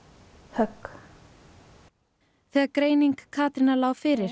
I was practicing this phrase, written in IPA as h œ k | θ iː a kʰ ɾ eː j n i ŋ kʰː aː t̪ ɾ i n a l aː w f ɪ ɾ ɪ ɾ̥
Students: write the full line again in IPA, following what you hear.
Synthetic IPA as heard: h œ k | θ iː a k ɾ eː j n i ŋ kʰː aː t̪ ɾ ɪ n a l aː w f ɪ ɾ ɪ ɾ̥